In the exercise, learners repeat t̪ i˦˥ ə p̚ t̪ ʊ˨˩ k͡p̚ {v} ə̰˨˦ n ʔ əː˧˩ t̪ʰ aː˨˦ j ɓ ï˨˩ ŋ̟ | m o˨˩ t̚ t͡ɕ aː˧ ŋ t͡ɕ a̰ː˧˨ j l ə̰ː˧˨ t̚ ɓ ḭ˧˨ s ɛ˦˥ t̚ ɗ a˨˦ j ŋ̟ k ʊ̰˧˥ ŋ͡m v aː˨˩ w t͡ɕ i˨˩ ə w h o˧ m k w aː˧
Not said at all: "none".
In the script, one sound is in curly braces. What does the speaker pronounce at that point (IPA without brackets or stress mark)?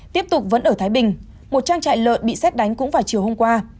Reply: v